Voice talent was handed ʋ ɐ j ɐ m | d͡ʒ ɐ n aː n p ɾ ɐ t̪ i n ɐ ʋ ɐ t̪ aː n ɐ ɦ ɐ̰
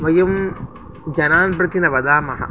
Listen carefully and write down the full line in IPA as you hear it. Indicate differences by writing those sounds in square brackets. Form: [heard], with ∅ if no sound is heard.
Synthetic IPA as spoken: ʋ ɐ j ɐ m | d͡ʒ ɐ n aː n p ɾ ɐ t̪ i n ɐ ʋ ɐ [d̪] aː [m] ɐ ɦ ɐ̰

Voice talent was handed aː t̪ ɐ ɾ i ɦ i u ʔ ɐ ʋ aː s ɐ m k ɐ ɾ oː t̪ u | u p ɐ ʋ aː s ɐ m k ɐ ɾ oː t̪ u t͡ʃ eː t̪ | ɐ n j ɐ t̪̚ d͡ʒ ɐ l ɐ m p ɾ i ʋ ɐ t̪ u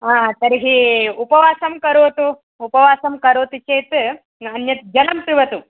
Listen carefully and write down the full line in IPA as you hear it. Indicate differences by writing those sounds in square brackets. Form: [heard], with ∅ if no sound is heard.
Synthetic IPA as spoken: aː t̪ ɐ ɾ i ɦ i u [p] ɐ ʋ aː s ɐ m k ɐ ɾ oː t̪ u | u p ɐ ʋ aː s ɐ m k ɐ ɾ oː t̪ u t͡ʃ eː t̪ | ɐ n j ɐ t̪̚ d͡ʒ ɐ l ɐ m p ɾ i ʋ ɐ t̪ u

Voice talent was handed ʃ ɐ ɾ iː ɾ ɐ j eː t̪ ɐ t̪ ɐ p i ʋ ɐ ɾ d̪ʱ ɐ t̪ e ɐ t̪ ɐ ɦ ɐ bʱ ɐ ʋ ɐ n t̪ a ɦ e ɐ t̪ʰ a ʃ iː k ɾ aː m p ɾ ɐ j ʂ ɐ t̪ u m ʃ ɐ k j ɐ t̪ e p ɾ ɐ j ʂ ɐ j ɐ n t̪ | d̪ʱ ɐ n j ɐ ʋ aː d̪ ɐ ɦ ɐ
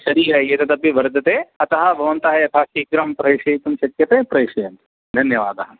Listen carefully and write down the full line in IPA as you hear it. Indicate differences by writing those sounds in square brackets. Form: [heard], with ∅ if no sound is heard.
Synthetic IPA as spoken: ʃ ɐ ɾ iː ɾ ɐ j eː t̪ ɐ t̪ ɐ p i ʋ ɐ ɾ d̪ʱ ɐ t̪ e ɐ t̪ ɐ ɦ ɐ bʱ ɐ ʋ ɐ n t̪ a ɦ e ɐ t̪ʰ a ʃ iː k ɾ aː m p ɾ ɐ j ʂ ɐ t̪ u m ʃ ɐ k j ɐ t̪ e p ɾ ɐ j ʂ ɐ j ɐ n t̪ | d̪ʱ ɐ n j ɐ ʋ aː d̪ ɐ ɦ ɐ

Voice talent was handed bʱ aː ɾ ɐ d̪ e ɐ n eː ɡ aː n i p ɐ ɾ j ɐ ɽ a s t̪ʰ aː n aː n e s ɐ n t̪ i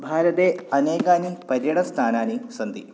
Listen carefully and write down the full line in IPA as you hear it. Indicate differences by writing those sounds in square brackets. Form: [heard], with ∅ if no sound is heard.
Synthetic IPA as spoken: bʱ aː ɾ ɐ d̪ e ɐ n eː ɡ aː n i p ɐ ɾ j ɐ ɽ [ɐ] s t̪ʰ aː n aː n [i] s ɐ n [d̪] i

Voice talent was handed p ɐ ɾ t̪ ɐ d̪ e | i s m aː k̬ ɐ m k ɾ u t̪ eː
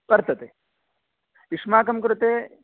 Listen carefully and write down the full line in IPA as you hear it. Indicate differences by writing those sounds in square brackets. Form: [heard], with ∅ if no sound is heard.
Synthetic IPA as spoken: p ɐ ɾ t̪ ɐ [t̪] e | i [ʂ] m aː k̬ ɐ m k ɾ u t̪ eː

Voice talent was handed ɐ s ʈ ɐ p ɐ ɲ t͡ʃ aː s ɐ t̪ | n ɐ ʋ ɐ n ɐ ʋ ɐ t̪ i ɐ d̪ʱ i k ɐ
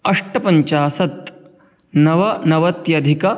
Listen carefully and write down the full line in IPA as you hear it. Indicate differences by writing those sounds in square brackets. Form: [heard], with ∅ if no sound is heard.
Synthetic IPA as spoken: ɐ [ʂ] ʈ ɐ p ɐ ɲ t͡ʃ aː s ɐ t̪ | n ɐ ʋ ɐ n ɐ ʋ ɐ t̪ [j] ɐ d̪ʱ i k ɐ

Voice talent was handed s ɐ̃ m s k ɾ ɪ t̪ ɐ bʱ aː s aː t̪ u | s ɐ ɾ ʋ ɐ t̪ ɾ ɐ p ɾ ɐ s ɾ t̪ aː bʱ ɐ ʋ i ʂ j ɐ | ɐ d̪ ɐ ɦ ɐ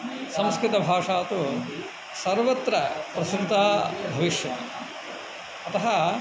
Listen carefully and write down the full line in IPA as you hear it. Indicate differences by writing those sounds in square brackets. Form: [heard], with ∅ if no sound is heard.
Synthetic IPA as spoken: s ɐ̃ m s k ɾ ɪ t̪ ɐ bʱ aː [ʂ] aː t̪ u | s ɐ ɾ ʋ ɐ t̪ ɾ ɐ p ɾ ɐ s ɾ t̪ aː bʱ ɐ ʋ i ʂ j ɐ | ɐ [t̪] ɐ ɦ ɐ

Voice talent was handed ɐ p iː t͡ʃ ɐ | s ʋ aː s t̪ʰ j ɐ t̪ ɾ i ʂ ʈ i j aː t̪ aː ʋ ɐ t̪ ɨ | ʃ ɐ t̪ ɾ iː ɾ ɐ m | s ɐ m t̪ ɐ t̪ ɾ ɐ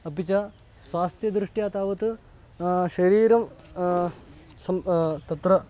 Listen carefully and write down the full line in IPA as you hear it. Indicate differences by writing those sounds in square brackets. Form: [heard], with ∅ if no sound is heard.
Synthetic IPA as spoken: ɐ p [i] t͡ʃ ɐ | s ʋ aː s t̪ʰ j ɐ [d̪] ɾ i ʂ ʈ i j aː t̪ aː ʋ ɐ t̪ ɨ | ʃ ɐ [∅] ɾ iː ɾ ɐ m | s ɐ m t̪ ɐ t̪ ɾ ɐ

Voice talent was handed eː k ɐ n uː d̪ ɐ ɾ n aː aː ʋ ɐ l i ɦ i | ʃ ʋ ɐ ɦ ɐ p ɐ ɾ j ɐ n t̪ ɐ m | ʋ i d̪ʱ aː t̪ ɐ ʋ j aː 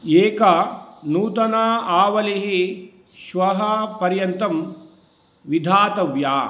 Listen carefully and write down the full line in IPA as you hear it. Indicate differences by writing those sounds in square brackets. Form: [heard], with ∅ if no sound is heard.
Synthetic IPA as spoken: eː k ɐ n uː [t̪] ɐ [∅] n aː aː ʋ ɐ l i ɦ i | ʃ ʋ ɐ ɦ ɐ p ɐ ɾ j ɐ n t̪ ɐ m | ʋ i d̪ʱ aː t̪ ɐ ʋ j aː

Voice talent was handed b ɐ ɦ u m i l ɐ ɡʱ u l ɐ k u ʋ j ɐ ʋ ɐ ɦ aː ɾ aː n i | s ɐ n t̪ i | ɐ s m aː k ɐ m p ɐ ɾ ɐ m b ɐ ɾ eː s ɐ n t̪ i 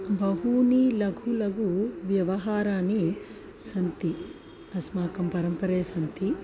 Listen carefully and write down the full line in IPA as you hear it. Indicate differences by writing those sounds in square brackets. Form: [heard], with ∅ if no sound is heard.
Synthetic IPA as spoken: b ɐ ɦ u [n] i l ɐ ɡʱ u l ɐ [ɡ] u ʋ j ɐ ʋ ɐ ɦ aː ɾ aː n i | s ɐ n t̪ i | ɐ s m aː k ɐ m p ɐ ɾ ɐ m [p] ɐ ɾ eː s ɐ n t̪ i

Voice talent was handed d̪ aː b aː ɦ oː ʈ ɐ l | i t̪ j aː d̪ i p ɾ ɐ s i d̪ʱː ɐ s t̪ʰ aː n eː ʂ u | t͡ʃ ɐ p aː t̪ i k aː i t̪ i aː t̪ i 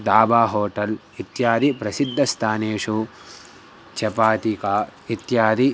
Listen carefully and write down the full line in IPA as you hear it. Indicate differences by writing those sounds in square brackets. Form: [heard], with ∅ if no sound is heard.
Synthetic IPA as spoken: d̪ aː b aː ɦ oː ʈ ɐ l | i t̪ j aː d̪ i p ɾ ɐ s i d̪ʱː ɐ s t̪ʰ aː n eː ʂ u | t͡ʃ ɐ p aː t̪ i k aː i t̪ [j] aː [d̪] i

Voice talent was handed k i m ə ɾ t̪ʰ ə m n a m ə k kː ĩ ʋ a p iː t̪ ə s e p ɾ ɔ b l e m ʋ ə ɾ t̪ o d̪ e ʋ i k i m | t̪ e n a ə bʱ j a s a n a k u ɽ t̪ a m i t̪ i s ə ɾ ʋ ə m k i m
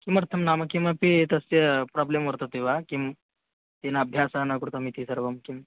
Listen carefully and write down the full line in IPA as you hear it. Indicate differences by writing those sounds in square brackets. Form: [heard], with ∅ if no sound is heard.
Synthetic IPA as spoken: k i m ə ɾ t̪ʰ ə m n a m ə k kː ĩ ʋ a p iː t̪ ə s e p ɾ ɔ b l e m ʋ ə ɾ t̪ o [t̪] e ʋ [a] k i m | t̪ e n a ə bʱ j a s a n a k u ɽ t̪ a m i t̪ i s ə ɾ ʋ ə m k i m

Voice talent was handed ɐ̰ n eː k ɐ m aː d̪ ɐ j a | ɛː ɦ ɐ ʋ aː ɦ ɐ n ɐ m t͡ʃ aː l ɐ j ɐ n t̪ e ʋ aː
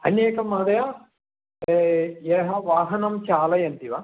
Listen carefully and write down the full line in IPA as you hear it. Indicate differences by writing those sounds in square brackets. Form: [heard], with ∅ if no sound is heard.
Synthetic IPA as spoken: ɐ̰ n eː k ɐ m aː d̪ ɐ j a | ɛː ɦ ɐ ʋ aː ɦ ɐ n ɐ m t͡ʃ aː l ɐ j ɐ n t̪ [i] ʋ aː

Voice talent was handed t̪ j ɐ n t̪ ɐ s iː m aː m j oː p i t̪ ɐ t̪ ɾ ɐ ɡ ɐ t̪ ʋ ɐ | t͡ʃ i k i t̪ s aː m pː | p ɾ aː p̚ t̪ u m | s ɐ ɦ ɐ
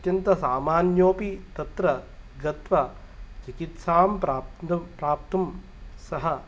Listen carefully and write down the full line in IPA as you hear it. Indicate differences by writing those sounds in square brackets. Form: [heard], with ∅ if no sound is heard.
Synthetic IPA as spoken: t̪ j ɐ n t̪ ɐ s [aː] m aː [n] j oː p i t̪ ɐ t̪ ɾ ɐ ɡ ɐ t̪ ʋ ɐ | t͡ʃ i k i t̪ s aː m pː | p ɾ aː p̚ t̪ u m | s ɐ ɦ ɐ

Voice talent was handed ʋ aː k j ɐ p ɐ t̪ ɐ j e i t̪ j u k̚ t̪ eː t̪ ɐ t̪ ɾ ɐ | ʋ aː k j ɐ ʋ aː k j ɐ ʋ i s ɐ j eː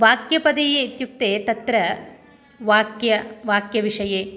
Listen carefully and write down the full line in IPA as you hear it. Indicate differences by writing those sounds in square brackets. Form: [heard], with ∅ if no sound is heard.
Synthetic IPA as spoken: ʋ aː k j ɐ p ɐ [d̪] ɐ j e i t̪ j u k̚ t̪ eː t̪ ɐ t̪ ɾ ɐ | ʋ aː k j ɐ ʋ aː k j ɐ ʋ i [ʂ] ɐ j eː

